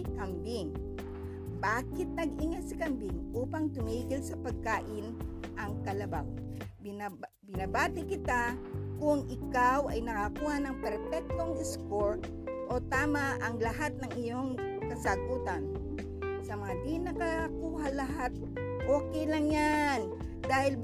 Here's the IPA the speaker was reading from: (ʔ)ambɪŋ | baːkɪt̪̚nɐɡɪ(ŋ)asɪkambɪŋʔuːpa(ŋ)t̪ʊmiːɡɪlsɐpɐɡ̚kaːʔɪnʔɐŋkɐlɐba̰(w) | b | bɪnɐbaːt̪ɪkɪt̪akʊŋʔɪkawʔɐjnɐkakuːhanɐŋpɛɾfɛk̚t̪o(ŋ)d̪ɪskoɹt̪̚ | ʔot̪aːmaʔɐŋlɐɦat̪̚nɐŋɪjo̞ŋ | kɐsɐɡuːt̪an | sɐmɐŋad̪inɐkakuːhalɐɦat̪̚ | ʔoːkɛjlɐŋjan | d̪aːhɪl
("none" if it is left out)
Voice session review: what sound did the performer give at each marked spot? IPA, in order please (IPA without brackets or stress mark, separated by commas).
k, ŋ, ŋ, w, ŋ